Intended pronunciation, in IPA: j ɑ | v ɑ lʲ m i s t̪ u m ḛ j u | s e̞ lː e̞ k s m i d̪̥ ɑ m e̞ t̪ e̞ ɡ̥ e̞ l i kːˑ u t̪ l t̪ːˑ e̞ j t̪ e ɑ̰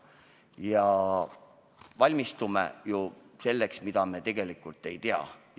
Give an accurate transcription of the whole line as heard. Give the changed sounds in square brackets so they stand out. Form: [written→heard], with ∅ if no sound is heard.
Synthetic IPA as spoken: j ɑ | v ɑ lʲ m i s t̪ u m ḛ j u | s e̞ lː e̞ k s m i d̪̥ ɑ m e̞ t̪ e̞ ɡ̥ e̞ l i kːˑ u [t̪→∅] l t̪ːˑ e̞ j t̪ e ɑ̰